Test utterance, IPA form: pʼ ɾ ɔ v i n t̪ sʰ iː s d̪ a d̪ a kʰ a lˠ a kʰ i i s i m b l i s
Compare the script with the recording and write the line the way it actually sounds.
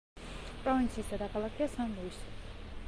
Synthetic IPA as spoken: pʼ ɾ ɔ v i n t̪ sʰ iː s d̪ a d̪ a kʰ a lˠ a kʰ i a s a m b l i s